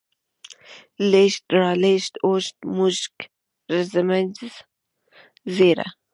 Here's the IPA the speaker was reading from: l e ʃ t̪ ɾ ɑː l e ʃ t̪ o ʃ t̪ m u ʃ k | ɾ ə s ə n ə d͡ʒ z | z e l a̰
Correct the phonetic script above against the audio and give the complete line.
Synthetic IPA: l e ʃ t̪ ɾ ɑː l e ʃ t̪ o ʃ t̪ m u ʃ k | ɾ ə z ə m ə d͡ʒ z | z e ɾ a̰